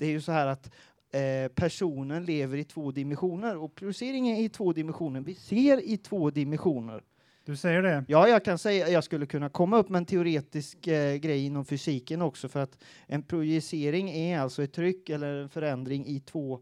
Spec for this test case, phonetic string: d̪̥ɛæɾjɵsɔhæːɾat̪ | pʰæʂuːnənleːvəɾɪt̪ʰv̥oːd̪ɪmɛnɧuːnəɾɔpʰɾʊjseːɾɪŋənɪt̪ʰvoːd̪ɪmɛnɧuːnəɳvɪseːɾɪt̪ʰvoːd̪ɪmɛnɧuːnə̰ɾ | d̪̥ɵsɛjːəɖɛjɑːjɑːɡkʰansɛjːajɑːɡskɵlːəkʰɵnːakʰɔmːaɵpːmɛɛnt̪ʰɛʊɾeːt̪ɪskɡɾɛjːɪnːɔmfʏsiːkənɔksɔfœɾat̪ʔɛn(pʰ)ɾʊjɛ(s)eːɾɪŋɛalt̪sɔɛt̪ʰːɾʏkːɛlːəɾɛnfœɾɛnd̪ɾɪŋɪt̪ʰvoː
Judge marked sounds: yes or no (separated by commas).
yes, yes